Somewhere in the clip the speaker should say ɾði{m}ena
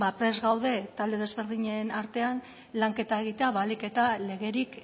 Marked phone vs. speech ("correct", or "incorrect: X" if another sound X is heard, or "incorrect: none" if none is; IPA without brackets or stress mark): incorrect: ɲ